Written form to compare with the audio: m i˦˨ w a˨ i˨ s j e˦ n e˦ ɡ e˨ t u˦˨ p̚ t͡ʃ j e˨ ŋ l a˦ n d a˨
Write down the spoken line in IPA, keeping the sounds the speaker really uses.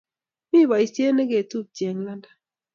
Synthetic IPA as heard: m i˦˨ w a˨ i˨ s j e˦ n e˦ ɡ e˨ t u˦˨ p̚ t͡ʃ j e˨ ŋ l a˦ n d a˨